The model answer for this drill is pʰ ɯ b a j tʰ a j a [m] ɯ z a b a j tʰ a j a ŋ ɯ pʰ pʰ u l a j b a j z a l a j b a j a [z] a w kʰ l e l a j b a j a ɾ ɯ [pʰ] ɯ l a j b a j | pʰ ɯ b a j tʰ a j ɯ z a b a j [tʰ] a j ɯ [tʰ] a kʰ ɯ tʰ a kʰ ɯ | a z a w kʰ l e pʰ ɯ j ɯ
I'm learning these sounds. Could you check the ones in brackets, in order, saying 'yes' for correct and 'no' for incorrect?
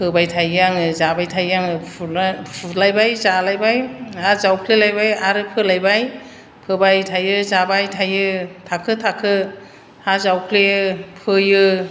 no, yes, yes, yes, yes

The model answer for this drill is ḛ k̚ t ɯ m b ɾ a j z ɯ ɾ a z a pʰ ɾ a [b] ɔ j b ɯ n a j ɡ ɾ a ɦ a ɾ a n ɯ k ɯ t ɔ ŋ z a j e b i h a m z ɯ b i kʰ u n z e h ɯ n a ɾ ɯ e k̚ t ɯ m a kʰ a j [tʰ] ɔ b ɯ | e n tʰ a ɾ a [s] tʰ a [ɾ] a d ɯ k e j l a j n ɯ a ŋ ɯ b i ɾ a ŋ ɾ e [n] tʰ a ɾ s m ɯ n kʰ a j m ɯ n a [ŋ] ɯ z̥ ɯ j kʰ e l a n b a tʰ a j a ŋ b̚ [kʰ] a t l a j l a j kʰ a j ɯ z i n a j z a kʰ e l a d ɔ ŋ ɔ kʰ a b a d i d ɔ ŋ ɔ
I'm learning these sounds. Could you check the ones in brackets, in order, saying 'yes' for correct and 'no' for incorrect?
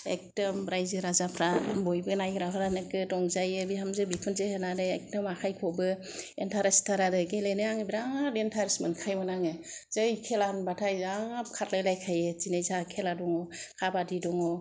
yes, no, yes, yes, yes, yes, yes

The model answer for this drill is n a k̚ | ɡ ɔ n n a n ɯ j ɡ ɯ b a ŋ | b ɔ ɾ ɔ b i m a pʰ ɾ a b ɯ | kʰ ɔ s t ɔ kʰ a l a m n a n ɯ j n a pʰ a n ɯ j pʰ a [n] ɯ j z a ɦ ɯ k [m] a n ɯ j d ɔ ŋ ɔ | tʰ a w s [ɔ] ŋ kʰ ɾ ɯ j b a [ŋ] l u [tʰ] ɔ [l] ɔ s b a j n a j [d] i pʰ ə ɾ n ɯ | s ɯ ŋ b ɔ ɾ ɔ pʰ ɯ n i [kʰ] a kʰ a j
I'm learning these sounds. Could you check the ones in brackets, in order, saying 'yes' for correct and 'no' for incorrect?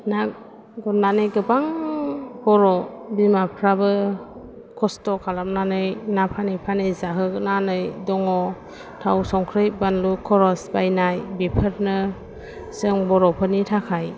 yes, no, yes, no, no, no, no, no

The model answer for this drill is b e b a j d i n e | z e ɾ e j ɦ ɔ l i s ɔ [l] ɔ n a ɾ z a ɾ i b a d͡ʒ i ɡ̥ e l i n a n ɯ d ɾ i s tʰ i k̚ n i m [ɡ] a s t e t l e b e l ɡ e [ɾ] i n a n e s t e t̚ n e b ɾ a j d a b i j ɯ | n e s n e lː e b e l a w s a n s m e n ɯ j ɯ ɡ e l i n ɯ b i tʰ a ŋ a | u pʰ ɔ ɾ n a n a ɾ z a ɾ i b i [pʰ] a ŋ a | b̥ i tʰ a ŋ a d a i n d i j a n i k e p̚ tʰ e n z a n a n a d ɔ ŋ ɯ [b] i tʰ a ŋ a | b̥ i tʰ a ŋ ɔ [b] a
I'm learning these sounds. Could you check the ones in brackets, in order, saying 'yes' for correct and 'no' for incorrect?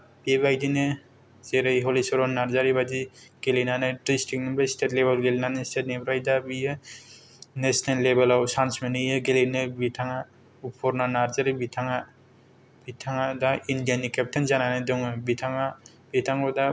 no, no, no, no, yes, no

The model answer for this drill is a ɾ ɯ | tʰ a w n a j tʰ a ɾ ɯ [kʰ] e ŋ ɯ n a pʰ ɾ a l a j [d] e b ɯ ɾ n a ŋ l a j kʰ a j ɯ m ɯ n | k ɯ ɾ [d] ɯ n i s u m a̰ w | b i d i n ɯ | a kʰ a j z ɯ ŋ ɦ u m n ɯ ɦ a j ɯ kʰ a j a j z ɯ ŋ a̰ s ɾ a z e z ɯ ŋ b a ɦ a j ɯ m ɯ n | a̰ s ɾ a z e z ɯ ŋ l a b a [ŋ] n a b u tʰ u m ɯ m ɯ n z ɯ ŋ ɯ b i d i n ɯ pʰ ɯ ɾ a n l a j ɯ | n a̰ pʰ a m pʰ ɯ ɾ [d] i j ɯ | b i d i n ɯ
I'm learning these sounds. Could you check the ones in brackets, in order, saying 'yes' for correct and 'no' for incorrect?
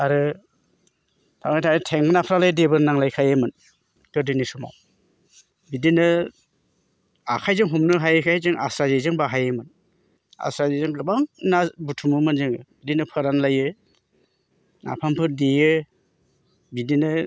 no, yes, yes, yes, yes

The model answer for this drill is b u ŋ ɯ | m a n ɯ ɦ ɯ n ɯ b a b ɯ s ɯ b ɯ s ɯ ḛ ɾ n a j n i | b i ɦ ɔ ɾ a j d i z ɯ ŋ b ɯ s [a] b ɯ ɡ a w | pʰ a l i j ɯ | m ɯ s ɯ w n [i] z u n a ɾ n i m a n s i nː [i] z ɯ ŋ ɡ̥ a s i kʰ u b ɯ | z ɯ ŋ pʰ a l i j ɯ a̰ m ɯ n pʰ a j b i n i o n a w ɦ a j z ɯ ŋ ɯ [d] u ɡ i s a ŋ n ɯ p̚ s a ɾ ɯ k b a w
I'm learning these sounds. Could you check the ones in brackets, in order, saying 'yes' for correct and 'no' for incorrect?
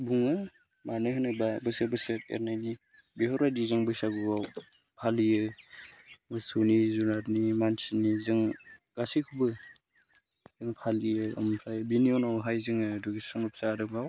yes, yes, yes, yes

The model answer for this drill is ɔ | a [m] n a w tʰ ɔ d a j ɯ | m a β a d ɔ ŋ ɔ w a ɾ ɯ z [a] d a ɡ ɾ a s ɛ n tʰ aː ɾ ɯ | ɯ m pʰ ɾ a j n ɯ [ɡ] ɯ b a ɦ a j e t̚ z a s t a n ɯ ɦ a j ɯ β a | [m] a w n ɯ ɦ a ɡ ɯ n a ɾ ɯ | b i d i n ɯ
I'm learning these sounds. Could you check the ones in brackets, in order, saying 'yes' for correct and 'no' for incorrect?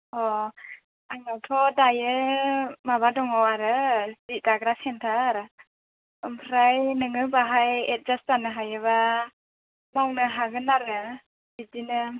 no, no, no, yes

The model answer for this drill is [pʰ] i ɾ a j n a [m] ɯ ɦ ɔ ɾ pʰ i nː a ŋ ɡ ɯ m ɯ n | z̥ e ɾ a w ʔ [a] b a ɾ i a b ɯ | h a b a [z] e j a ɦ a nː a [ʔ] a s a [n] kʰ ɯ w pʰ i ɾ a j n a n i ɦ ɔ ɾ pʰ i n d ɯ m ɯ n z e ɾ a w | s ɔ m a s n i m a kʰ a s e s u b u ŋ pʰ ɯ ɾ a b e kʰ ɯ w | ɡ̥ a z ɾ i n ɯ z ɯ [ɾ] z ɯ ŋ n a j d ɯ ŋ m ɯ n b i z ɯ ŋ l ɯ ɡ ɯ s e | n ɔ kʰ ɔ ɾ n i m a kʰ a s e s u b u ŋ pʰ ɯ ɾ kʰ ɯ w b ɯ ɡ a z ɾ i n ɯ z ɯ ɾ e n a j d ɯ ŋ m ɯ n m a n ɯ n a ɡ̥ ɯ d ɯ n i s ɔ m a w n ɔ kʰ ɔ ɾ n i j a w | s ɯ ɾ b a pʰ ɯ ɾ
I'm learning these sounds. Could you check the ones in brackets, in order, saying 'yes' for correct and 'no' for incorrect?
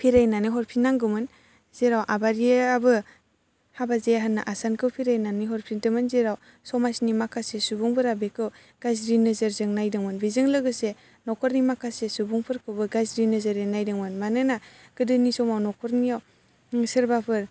yes, no, yes, yes, yes, yes, yes

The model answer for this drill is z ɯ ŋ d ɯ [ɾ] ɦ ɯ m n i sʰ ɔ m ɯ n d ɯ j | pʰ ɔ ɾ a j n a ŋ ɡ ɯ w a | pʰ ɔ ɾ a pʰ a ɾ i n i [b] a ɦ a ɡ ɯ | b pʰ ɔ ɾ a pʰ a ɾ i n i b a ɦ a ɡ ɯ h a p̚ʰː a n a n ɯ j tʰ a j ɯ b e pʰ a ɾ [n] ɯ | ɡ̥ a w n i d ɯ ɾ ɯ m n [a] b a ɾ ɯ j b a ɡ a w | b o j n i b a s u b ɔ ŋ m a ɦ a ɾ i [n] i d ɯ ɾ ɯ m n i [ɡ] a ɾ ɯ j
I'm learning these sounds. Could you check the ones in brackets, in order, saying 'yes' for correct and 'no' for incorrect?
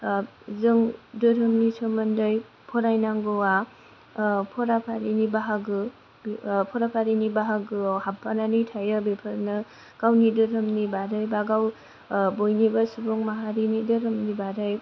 yes, yes, yes, no, yes, no

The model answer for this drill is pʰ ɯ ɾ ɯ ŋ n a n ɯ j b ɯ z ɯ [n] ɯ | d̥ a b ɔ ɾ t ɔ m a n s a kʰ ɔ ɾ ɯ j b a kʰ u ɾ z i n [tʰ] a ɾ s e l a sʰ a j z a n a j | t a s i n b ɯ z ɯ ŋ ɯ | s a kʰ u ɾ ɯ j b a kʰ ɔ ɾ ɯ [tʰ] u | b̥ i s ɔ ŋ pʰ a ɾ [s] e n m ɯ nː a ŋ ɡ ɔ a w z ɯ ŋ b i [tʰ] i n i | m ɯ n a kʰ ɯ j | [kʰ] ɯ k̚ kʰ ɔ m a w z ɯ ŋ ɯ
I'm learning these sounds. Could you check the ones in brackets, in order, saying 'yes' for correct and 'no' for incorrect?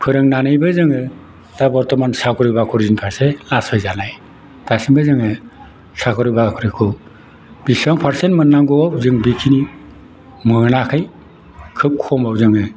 no, no, no, yes, no, yes

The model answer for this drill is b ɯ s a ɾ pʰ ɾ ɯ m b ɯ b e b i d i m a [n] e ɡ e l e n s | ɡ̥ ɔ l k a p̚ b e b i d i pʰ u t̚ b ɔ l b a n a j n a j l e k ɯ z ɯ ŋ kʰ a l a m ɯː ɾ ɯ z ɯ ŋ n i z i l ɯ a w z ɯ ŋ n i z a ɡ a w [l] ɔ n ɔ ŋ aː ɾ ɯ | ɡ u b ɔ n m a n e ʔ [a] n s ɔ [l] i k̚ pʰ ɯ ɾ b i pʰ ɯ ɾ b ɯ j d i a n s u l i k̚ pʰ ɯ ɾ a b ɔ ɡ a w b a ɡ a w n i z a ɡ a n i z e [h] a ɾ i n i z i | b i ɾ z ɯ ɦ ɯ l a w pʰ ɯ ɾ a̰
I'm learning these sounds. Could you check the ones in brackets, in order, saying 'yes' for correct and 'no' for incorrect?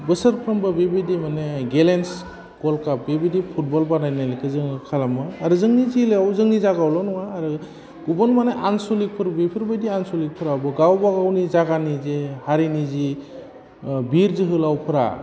yes, yes, yes, yes, yes

